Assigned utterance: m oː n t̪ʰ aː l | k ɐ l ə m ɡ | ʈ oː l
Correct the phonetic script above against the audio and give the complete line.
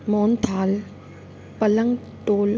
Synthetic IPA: m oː n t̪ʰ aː l | p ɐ l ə ŋ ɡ | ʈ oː l